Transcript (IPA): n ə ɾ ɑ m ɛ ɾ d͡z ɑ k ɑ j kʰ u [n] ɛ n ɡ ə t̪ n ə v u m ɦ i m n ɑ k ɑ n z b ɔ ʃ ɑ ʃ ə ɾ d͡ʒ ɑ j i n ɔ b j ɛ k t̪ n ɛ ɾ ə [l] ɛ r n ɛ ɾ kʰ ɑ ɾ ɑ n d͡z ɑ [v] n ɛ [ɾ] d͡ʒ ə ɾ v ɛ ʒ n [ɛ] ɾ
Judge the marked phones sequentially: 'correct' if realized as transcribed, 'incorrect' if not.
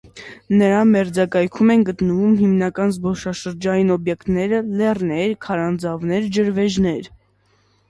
incorrect, correct, correct, correct, correct

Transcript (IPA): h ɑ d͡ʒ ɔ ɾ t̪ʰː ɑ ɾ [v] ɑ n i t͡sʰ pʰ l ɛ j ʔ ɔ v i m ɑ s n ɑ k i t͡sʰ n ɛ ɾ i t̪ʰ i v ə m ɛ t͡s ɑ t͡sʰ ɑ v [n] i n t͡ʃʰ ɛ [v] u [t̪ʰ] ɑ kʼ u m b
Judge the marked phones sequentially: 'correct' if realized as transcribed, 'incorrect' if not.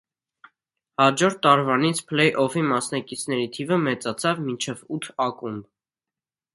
correct, incorrect, correct, correct

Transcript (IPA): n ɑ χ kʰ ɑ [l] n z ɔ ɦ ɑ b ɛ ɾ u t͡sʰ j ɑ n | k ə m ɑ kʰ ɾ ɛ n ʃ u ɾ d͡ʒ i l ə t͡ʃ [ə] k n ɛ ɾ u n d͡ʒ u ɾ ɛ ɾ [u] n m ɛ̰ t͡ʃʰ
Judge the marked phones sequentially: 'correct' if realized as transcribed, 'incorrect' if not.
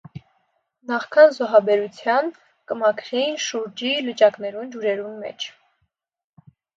incorrect, incorrect, correct

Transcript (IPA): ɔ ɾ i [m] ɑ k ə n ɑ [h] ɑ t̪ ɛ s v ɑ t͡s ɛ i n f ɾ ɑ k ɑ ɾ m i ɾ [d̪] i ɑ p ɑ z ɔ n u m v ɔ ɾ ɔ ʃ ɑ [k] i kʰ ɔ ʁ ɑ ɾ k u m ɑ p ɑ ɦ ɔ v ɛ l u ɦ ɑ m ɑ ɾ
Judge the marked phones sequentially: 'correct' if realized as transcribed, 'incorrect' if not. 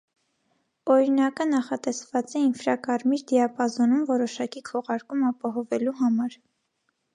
incorrect, incorrect, correct, correct

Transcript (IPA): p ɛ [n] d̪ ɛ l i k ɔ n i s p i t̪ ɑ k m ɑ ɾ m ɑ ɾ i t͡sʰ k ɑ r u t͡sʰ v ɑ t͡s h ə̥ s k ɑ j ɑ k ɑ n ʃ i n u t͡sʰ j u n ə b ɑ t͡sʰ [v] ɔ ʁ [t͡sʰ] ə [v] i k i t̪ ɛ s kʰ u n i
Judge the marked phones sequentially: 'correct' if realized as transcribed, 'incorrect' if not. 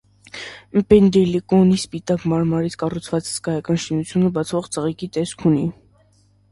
correct, correct, incorrect, incorrect

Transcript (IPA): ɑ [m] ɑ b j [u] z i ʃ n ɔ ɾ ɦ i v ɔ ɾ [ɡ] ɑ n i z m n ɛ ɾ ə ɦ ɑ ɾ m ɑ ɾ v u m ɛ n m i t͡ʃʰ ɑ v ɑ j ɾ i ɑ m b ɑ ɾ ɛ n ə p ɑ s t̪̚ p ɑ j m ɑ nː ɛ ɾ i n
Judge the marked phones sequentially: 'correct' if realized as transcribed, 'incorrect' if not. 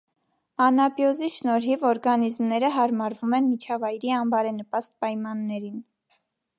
incorrect, incorrect, correct

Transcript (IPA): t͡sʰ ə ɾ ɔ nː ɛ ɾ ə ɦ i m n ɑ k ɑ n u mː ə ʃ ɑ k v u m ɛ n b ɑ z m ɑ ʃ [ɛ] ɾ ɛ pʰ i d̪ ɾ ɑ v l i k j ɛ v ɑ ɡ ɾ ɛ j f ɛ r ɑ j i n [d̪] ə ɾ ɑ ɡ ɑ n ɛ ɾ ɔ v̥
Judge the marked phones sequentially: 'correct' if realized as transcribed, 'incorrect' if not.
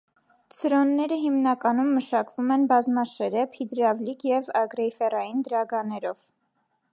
correct, correct

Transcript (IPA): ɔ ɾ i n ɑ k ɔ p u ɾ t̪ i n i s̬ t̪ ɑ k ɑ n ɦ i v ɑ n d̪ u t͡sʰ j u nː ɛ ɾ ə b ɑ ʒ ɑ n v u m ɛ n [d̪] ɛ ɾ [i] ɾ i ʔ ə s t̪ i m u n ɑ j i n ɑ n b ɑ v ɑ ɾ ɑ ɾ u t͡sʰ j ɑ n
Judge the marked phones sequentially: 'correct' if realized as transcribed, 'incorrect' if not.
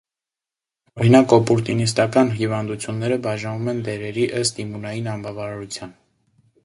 correct, incorrect

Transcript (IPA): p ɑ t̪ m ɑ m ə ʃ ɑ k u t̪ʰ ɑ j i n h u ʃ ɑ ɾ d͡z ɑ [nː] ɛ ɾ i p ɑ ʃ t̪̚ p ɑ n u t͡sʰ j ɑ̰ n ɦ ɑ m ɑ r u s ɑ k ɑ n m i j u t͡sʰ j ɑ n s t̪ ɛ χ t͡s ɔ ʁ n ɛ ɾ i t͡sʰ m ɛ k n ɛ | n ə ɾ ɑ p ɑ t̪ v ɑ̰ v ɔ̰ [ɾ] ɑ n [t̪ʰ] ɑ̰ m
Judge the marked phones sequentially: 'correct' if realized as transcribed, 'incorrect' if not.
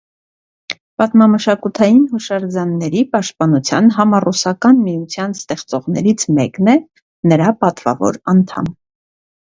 correct, correct, correct

